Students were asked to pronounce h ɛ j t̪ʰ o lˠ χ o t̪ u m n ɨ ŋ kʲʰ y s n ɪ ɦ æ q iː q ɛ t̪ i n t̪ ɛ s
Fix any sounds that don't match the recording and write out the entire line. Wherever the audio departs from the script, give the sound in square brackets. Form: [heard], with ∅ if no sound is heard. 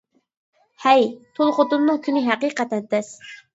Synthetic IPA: h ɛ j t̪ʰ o lˠ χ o t̪ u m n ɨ ŋ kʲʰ y [∅] n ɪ ɦ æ q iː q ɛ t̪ [ɛ] n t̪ ɛ s